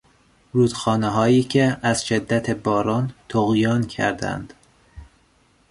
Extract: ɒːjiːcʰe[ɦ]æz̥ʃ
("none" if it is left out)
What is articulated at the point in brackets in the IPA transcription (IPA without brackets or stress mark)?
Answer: none